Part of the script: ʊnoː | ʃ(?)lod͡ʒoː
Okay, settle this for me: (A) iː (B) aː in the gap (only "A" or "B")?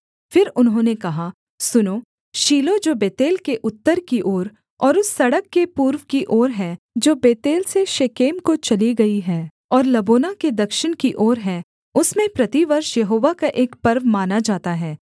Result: A